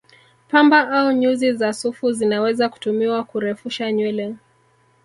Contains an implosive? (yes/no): no